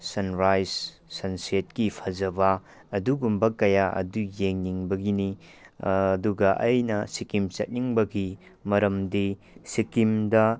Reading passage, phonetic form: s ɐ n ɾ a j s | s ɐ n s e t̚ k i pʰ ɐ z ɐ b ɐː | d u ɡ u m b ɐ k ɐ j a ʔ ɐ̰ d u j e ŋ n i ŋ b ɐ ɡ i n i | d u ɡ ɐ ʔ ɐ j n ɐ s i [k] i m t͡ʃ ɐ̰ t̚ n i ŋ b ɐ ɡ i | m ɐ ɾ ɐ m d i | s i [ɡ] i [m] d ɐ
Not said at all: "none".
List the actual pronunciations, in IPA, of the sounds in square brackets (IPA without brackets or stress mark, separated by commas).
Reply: k, k, m